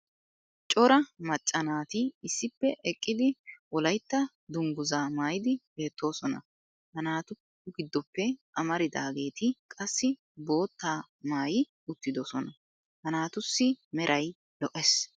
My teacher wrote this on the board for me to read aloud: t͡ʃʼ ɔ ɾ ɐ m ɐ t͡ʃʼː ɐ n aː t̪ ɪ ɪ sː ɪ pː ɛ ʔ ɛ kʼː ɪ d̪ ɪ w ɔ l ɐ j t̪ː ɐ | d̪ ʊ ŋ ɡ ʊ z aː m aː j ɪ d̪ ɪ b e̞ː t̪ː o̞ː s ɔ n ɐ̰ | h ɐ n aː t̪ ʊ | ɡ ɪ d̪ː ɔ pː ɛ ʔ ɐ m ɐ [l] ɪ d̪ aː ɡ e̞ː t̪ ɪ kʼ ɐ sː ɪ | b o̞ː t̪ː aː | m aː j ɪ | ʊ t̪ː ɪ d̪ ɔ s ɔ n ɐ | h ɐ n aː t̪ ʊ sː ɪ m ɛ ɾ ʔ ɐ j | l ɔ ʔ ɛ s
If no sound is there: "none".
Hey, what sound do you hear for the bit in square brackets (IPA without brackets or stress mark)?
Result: ɾ